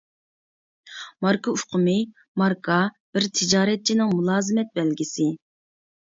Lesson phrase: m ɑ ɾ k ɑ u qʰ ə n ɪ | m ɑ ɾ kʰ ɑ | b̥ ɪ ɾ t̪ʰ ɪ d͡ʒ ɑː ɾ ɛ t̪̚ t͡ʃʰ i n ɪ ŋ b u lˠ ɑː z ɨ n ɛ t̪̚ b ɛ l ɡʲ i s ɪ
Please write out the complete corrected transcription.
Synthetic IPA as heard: m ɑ ɾ k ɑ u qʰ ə m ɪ | m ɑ ɾ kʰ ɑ | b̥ ɪ ɾ t̪ʰ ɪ d͡ʒ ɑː ɾ ɛ t̪̚ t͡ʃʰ i n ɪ ŋ m u lˠ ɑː z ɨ m ɛ t̪̚ b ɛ l ɡʲ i s ɪ